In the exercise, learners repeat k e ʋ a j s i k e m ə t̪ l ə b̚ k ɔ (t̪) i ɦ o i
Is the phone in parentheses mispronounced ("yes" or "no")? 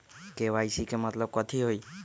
yes